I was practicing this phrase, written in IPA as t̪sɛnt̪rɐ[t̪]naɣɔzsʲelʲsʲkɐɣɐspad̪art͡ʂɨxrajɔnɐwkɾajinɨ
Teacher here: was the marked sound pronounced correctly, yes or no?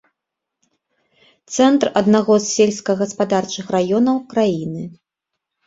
no